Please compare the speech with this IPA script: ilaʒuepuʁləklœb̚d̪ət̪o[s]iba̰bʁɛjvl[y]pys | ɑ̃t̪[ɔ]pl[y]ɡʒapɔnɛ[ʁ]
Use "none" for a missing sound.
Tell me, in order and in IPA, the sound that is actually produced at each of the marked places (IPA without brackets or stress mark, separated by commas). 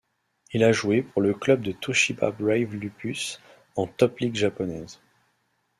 ʃ, y, ɔ, i, z